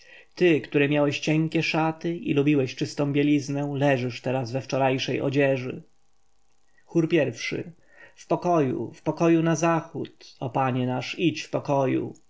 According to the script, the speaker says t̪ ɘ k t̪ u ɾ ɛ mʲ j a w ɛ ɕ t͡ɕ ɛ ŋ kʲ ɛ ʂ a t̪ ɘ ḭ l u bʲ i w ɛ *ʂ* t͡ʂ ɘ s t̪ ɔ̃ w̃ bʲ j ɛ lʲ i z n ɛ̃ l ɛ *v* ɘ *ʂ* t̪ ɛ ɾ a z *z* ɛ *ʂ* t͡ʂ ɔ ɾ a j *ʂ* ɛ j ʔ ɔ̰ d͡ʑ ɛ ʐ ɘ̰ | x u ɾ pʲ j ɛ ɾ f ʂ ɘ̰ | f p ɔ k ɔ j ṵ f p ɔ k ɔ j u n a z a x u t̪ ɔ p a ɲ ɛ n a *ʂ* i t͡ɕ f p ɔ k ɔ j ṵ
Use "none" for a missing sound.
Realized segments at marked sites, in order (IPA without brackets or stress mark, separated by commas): ɕ, ʐ, ʂ, v, f, ʂ, ʂ